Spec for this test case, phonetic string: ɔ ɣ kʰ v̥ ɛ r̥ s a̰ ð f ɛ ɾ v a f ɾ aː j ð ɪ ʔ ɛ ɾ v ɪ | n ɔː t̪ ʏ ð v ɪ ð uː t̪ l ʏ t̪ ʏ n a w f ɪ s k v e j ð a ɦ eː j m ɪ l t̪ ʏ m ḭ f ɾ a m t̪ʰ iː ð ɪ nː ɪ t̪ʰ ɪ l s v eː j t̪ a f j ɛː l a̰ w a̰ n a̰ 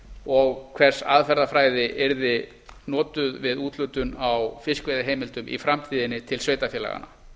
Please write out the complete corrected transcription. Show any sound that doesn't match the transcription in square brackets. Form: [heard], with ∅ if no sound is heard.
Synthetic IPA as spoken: ɔ ɣ kʰ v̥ ɛ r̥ s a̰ ð f ɛ ɾ [ð] a f ɾ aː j ð ɪ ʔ ɛ ɾ [ð] ɪ | n ɔː t̪ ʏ ð v ɪ ð uː t̪ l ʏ t̪ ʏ n a w f ɪ s k v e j ð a ɦ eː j m ɪ l t̪ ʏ m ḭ f ɾ a m t̪ʰ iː ð ɪ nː ɪ t̪ʰ ɪ l s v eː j t̪ a f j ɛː l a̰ [ɣ] a̰ n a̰